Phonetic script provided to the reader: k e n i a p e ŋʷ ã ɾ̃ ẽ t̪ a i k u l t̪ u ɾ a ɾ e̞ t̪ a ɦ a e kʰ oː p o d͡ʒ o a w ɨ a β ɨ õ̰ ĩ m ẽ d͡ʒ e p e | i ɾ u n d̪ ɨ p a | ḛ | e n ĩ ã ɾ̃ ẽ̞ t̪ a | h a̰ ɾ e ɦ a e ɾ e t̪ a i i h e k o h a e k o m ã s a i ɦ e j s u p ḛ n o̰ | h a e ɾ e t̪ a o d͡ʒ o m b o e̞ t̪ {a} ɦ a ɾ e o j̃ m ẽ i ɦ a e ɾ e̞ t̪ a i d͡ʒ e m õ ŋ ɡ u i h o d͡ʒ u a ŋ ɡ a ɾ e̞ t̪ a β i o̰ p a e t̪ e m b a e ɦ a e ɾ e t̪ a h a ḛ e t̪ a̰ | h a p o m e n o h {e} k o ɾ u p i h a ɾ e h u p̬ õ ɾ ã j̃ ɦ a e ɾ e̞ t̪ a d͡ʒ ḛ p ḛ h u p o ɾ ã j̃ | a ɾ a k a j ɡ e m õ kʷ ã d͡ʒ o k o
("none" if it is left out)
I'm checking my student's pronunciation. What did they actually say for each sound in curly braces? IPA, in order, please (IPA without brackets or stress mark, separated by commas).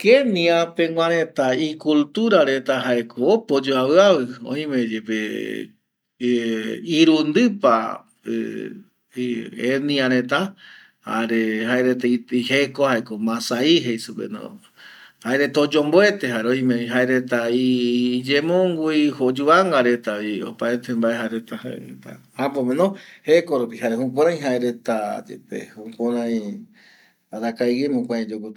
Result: e, e